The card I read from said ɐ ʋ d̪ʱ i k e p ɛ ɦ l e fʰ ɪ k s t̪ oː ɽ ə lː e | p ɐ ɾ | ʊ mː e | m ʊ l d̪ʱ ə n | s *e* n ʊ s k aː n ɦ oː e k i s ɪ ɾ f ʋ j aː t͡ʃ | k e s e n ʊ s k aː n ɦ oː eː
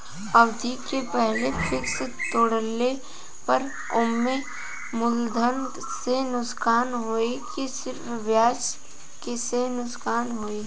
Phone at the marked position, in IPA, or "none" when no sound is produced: e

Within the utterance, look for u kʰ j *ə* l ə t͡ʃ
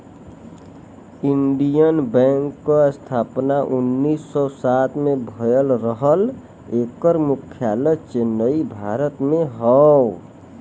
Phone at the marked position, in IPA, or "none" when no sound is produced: a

